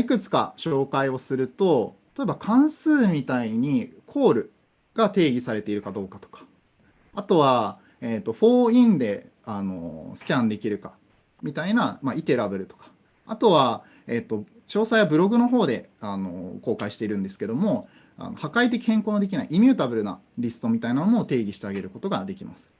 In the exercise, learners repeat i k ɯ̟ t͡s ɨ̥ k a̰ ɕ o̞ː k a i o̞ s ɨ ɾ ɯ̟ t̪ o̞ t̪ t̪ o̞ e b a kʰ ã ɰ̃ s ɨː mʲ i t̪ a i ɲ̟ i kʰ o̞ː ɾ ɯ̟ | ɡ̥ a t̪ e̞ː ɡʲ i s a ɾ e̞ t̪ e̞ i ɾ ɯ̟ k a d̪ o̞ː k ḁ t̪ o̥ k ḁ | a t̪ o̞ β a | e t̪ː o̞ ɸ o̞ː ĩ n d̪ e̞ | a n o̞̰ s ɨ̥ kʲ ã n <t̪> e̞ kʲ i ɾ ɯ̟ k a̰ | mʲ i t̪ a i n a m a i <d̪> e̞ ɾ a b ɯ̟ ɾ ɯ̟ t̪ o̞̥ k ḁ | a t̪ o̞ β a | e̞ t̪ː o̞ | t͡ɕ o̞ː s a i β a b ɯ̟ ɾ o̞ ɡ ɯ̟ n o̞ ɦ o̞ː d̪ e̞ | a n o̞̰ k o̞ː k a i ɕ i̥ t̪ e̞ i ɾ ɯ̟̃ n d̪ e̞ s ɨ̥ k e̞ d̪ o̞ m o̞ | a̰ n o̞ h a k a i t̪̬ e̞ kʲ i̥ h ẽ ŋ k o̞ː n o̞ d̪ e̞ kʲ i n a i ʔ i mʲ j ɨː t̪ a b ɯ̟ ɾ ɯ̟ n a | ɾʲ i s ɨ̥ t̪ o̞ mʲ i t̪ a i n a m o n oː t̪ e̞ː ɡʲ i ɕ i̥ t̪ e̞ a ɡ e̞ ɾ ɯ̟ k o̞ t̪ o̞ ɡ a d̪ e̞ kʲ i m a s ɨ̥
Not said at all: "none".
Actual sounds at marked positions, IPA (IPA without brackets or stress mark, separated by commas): d̪, t̪